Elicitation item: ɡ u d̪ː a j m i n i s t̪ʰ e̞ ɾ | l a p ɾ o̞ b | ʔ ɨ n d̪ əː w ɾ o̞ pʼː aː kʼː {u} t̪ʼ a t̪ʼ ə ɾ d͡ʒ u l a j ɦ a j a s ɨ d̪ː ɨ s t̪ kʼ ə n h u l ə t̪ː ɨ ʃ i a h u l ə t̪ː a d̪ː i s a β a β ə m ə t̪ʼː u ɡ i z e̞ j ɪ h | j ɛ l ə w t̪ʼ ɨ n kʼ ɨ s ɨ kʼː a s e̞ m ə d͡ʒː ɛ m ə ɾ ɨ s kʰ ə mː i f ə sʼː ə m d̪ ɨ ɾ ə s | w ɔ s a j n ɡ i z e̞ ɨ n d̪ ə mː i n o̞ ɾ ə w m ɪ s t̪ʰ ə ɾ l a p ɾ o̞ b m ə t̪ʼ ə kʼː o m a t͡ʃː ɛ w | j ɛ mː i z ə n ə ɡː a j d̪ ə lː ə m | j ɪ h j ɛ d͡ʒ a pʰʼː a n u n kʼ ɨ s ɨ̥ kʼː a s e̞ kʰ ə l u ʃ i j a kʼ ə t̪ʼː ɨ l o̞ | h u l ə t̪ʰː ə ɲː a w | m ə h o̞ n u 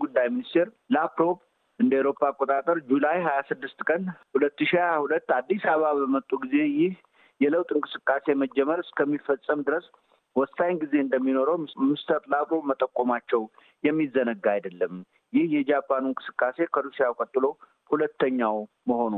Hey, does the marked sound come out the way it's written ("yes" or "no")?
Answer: no